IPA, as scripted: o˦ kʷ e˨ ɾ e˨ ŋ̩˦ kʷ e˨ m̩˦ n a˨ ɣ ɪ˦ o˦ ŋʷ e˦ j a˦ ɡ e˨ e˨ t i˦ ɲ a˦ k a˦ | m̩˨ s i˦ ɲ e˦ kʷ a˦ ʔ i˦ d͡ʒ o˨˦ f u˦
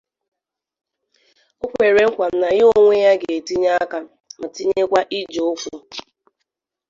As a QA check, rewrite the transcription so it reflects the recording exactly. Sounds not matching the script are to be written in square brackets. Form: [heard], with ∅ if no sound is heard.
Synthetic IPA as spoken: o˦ kʷ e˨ ɾ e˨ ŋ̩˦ kʷ [a˨] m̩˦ n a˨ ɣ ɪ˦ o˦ ŋʷ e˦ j a˦ ɡ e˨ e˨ t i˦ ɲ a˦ k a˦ | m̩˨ [t] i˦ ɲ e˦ kʷ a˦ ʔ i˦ d͡ʒ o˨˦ f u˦